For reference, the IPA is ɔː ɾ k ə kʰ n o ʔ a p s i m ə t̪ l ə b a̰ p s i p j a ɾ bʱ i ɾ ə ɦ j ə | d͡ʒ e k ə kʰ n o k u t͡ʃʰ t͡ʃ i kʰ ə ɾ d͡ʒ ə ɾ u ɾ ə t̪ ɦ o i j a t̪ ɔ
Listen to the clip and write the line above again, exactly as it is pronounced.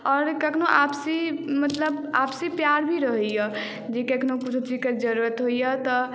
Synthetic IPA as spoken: ɔː ɾ k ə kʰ n o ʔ a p s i m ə t̪ l ə b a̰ p s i p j a ɾ bʱ i ɾ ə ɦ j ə | d͡ʒ e k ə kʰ n o k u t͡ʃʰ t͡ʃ i k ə ɾ d͡ʒ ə ɾ u ɾ ə t̪ ɦ o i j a t̪ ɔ